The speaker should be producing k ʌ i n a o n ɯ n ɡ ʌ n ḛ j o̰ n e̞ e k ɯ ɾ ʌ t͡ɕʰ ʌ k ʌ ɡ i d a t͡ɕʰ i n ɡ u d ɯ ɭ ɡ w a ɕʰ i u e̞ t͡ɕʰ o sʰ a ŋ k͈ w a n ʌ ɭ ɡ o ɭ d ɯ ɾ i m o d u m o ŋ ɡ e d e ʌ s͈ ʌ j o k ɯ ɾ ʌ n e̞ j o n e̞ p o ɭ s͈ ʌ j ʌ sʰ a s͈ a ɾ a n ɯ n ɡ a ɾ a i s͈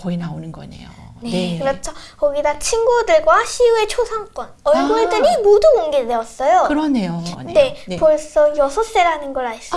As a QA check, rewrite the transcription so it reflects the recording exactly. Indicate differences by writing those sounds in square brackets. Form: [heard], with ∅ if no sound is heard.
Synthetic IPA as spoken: k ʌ i n a o n ɯ n ɡ ʌ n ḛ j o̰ n e̞ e k ɯ ɾ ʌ t͡ɕʰ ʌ k ʌ ɡ i d a t͡ɕʰ i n ɡ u d ɯ ɭ ɡ w a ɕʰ i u e̞ t͡ɕʰ o sʰ a ŋ k͈ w [ʌ] n ʌ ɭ ɡ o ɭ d ɯ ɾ i m o d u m o ŋ ɡ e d e ʌ s͈ ʌ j o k ɯ ɾ ʌ n e̞ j o n e̞ p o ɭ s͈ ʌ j ʌ sʰ [ʌ] s͈ [e] ɾ a n ɯ n ɡ [ʌ] ɾ a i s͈